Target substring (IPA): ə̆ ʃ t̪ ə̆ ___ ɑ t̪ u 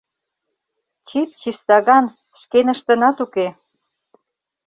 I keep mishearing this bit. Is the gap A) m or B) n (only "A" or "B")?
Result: B